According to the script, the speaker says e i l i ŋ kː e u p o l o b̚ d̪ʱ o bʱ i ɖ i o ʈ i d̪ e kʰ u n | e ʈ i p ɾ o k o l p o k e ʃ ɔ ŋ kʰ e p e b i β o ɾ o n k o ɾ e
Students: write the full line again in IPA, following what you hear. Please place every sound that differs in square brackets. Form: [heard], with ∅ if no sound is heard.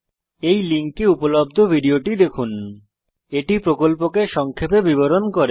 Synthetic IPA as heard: e [j] l i ŋ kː e u p o l o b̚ d̪ʱ o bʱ i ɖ i o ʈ i d̪ e kʰ u n | e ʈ i p ɾ o k o l p o k e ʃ ɔ ŋ kʰ e p e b i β o ɾ o n k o ɾ e